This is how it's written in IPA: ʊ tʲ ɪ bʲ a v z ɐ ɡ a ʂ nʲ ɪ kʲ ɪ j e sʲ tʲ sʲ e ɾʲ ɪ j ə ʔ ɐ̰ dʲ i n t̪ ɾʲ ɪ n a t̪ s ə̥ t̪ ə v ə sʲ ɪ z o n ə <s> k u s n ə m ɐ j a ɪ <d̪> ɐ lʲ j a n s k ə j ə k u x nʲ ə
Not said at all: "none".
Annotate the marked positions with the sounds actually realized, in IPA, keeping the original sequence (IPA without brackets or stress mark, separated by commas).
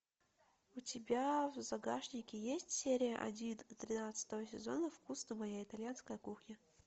f, t̪